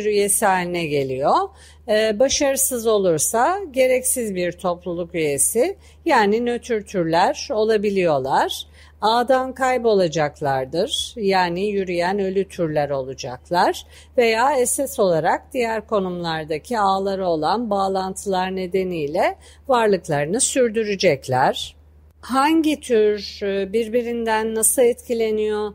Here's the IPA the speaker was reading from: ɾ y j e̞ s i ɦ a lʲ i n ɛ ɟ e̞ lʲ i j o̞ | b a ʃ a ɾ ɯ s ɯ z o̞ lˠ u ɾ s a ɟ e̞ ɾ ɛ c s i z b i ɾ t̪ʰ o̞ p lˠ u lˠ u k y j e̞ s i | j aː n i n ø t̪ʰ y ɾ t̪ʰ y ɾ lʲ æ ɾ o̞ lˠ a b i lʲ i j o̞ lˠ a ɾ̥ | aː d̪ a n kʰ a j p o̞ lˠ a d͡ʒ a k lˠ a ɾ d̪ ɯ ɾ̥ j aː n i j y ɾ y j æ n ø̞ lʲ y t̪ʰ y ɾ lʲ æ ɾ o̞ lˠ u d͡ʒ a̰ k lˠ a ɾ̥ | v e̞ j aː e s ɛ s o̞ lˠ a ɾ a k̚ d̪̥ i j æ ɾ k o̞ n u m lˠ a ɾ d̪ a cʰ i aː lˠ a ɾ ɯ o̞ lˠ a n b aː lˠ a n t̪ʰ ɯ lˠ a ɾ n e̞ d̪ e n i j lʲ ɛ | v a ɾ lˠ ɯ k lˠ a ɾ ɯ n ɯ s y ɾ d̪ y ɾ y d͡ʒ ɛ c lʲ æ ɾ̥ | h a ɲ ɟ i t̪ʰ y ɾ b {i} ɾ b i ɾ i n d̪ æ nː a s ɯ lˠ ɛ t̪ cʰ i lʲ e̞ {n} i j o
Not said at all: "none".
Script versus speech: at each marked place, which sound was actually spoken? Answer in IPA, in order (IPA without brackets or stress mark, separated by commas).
i, n